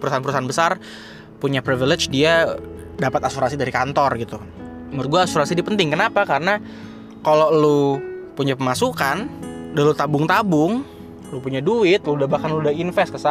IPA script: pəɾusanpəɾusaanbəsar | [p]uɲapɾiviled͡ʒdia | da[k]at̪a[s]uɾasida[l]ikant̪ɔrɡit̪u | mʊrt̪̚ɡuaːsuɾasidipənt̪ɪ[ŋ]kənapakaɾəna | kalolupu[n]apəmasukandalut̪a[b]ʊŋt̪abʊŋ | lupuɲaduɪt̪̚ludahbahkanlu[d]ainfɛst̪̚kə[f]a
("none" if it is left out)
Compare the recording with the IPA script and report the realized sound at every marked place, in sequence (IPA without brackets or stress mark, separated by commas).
p, p, s, ɾ, ŋ, ɲ, b, d, s